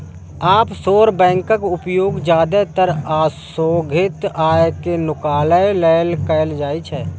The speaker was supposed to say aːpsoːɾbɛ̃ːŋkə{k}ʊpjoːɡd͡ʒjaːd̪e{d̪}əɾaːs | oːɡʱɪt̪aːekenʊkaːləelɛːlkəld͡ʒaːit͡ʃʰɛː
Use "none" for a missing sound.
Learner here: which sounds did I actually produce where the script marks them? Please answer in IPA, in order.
k, t̪

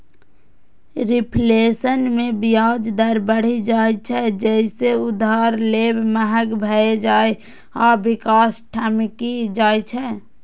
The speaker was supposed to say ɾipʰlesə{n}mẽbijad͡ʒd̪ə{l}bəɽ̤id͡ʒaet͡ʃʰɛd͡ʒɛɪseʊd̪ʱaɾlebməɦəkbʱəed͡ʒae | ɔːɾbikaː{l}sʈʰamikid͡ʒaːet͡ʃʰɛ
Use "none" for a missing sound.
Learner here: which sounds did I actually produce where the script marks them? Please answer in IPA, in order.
n, ɾ, none

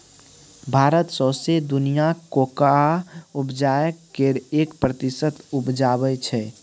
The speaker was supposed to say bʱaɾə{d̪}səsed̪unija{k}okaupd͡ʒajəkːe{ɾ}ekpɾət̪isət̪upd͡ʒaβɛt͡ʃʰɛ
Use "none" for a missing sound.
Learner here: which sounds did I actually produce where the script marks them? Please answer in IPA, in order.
t̪, k, ɾ

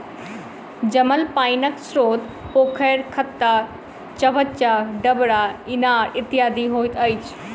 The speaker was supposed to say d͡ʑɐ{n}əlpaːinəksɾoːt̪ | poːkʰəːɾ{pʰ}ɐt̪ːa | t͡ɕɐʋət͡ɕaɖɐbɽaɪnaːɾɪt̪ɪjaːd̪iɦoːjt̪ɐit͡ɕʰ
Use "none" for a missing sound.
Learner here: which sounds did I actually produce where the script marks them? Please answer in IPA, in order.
m, kʰ

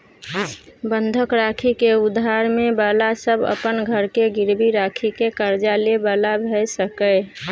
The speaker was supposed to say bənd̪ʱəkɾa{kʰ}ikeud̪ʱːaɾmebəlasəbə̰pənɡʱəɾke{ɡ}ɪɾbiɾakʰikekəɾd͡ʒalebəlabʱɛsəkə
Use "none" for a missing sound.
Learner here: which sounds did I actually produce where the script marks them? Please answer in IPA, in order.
kʰ, ɡ

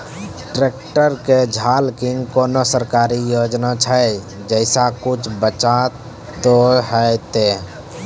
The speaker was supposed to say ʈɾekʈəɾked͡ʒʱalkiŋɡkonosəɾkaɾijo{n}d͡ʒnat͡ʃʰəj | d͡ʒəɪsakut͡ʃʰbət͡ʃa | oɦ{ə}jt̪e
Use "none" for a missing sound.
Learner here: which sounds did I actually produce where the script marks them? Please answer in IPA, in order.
none, ə

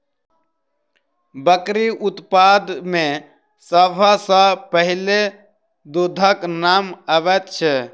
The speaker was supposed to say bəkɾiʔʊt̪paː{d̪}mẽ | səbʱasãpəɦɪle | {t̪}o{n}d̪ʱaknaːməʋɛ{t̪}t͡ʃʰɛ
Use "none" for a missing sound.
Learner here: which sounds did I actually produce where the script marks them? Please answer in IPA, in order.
d̪, d̪, none, t̪

